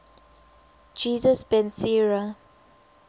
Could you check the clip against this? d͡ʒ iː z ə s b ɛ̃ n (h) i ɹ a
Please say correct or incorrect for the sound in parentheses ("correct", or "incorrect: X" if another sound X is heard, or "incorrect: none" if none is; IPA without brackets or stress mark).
incorrect: s